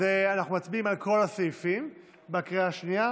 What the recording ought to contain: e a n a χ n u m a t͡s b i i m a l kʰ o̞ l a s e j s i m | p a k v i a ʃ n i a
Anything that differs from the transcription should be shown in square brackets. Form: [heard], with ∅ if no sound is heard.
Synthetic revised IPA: e a n a χ n u m a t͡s b i i m a l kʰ o̞ l a s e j [f] i m | [b] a k [ʁ] i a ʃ n i a